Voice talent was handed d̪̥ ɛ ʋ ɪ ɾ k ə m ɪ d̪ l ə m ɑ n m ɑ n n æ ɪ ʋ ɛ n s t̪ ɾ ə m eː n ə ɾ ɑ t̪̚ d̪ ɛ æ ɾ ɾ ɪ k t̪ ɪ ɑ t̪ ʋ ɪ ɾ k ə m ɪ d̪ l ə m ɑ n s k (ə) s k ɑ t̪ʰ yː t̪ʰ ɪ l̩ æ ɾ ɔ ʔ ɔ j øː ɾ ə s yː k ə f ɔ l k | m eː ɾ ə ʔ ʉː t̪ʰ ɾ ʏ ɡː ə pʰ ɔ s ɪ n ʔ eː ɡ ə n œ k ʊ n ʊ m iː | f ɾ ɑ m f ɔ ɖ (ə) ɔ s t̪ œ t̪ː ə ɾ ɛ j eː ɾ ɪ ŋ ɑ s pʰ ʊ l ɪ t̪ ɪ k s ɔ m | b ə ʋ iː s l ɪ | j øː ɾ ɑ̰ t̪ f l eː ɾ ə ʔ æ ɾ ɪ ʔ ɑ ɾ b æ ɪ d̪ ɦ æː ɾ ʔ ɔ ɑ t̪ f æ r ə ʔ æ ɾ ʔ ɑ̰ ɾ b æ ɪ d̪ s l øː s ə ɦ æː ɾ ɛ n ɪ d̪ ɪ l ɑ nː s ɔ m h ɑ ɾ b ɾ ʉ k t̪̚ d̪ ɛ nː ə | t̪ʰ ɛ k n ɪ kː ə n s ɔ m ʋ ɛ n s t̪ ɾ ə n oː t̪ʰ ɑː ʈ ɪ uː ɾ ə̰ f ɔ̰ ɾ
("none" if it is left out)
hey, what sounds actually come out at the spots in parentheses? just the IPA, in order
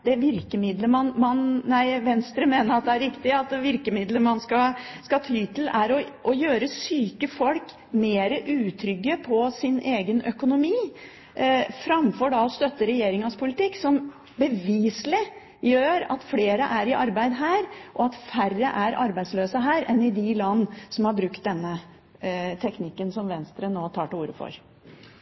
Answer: ɑ, ɑ

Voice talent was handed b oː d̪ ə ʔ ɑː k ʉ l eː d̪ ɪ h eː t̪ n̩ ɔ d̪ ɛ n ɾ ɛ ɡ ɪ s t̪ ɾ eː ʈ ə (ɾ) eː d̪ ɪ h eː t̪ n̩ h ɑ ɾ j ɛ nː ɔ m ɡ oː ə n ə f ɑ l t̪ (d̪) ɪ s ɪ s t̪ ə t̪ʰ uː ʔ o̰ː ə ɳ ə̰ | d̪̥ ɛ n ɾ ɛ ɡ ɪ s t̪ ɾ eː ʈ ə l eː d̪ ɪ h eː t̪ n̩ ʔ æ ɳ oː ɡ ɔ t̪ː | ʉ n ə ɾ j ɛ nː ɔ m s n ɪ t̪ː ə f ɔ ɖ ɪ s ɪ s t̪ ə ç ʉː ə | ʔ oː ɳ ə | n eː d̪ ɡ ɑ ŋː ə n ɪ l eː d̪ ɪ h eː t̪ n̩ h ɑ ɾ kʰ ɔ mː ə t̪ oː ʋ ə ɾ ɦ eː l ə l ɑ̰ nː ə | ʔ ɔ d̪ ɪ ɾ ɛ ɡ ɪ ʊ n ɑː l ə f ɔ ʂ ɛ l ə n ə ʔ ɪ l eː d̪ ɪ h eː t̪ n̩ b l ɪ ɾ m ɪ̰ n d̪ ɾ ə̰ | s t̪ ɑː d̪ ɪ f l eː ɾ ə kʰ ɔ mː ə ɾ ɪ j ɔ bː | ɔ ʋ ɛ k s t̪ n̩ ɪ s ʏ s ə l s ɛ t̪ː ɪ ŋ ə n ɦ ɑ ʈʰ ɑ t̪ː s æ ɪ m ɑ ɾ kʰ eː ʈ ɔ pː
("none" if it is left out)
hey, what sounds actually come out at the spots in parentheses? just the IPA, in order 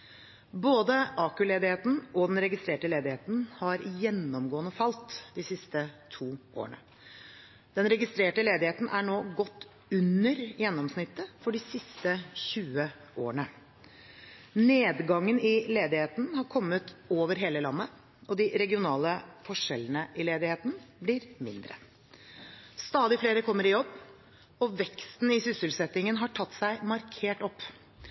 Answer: l, d̪

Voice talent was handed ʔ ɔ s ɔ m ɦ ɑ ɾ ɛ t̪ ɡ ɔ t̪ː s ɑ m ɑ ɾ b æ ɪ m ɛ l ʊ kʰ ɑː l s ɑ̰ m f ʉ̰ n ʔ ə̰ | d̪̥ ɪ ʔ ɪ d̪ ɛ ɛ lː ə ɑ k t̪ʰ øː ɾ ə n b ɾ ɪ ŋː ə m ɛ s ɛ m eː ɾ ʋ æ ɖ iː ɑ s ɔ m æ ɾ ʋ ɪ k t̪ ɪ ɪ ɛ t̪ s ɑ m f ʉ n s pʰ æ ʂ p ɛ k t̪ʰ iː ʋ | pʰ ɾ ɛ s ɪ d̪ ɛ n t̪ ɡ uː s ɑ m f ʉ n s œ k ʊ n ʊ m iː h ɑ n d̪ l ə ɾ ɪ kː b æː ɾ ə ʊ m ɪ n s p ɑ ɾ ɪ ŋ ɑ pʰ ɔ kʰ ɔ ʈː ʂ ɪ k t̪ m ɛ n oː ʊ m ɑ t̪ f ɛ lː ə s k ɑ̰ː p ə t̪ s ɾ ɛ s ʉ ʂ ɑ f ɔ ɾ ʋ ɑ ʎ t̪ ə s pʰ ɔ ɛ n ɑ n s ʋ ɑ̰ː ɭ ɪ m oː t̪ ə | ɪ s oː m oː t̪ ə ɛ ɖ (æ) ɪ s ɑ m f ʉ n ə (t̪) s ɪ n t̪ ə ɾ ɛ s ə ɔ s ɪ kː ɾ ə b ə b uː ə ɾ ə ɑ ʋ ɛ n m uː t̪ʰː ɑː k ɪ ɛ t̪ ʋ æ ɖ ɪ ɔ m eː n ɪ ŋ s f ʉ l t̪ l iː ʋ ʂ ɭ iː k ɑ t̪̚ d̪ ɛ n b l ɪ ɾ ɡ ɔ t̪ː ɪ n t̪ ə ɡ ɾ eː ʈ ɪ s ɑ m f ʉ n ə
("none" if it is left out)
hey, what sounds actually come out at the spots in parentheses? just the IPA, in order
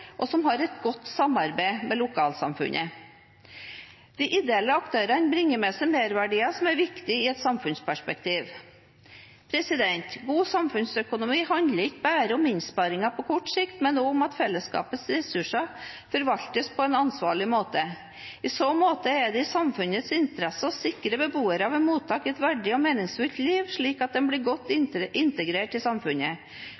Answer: ɛ, t̪

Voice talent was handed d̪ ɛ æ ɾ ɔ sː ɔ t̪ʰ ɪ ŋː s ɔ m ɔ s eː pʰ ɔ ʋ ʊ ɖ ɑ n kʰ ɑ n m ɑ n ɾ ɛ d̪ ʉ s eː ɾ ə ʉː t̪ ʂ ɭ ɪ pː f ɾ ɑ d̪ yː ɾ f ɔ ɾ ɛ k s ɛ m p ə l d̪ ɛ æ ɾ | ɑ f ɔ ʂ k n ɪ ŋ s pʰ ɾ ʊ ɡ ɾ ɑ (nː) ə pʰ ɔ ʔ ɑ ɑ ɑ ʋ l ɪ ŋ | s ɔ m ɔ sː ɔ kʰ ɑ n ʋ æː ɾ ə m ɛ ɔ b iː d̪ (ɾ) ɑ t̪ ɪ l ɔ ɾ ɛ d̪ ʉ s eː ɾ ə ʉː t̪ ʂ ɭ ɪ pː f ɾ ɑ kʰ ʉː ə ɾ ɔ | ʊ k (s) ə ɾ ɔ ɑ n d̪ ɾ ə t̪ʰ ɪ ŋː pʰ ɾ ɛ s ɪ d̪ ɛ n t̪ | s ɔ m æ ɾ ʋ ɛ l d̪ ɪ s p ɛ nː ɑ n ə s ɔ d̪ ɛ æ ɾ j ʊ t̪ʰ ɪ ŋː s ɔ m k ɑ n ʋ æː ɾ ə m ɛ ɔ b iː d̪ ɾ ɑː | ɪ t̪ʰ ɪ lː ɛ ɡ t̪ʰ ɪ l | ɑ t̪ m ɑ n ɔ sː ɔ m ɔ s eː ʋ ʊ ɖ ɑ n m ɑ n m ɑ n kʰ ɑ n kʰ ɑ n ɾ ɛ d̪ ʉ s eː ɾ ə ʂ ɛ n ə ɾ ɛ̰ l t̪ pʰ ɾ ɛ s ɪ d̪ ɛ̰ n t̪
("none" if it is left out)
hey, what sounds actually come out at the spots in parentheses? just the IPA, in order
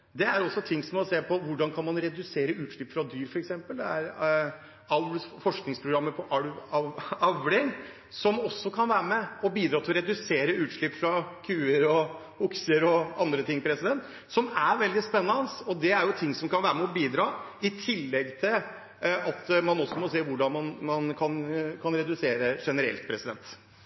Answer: mː, ɾ, s

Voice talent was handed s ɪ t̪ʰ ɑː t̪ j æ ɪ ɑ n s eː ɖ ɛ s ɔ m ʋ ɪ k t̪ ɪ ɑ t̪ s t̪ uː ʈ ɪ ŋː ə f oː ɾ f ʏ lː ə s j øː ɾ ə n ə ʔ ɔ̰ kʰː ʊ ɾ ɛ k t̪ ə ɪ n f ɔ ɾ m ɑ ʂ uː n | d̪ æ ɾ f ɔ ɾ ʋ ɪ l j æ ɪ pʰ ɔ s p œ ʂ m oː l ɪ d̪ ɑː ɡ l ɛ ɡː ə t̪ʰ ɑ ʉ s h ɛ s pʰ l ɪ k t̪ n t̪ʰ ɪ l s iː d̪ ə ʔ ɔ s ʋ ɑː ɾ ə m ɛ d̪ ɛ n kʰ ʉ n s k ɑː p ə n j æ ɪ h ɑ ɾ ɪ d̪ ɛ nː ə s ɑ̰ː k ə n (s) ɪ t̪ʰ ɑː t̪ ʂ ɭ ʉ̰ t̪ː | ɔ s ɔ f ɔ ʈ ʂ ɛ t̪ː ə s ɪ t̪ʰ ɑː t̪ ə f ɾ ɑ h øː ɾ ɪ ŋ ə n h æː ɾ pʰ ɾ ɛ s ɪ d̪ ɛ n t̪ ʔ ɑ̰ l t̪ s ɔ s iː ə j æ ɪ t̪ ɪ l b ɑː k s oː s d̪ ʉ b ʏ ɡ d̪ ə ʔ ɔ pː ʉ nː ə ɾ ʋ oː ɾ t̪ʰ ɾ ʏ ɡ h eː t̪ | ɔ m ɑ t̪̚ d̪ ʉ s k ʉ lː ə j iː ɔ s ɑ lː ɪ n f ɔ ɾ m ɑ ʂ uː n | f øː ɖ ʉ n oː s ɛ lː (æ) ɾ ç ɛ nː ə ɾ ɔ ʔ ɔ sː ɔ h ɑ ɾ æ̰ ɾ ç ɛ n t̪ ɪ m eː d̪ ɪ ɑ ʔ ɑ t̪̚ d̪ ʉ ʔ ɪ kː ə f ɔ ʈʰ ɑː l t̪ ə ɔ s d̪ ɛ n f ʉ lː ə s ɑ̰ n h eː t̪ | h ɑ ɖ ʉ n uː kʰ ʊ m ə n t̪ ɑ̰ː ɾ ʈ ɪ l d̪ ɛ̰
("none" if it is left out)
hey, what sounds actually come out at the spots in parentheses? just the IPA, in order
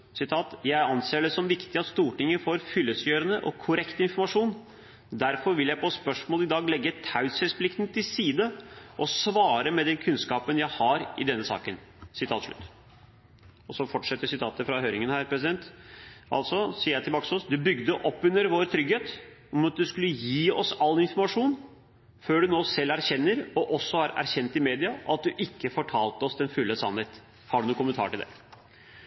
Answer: s, æ

